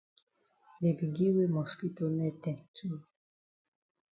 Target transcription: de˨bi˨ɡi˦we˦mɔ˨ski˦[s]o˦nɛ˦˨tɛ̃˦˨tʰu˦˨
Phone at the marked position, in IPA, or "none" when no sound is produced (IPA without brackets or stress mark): t